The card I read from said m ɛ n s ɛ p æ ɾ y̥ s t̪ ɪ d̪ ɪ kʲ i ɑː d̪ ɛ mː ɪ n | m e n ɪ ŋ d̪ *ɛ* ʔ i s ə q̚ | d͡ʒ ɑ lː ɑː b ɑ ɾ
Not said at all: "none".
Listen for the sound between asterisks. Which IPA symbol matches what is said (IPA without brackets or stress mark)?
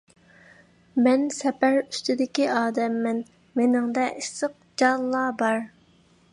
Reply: ɛ